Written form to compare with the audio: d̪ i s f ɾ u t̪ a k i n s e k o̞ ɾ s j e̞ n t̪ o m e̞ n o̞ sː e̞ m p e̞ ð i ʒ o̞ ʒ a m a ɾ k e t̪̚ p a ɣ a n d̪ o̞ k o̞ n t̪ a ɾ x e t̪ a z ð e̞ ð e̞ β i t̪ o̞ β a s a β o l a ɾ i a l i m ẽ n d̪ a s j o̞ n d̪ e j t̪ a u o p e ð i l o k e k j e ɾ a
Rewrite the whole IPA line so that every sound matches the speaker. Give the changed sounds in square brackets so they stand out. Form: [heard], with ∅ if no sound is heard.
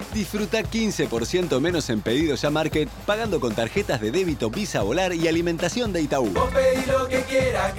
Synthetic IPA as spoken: d̪ i s f ɾ u t̪ a k i n s e [p] o̞ ɾ s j e̞ n t̪ o m e̞ n o̞ [s] e̞ m p e̞ ð i [ð] o̞ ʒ a m a ɾ k e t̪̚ p a ɣ a n d̪ o̞ k o̞ n t̪ a ɾ x e t̪ a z ð e̞ ð e̞ β i t̪ o̞ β [i] s a β o l a ɾ i a l i m ẽ n [t̪] a s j o̞ n d̪ e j t̪ a u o p e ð i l o k e k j e ɾ a